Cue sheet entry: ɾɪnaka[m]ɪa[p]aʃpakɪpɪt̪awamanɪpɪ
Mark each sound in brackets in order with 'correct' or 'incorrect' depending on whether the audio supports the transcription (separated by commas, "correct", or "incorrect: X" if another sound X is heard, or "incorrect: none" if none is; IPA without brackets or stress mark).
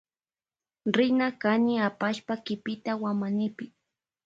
incorrect: n, correct